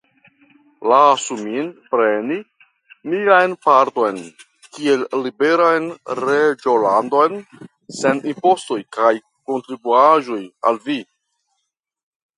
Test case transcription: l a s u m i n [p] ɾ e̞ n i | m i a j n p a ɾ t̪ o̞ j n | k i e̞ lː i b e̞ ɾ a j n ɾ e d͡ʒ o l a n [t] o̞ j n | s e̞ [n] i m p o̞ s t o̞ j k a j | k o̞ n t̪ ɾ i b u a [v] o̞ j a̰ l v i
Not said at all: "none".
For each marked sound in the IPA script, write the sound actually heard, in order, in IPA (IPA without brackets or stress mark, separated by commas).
p, d, n, ʒ